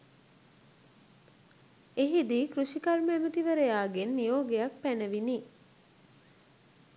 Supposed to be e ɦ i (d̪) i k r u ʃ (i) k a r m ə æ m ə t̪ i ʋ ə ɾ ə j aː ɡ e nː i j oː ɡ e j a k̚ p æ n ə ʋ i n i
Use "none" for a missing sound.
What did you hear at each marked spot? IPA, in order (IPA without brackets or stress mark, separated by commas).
d̪, i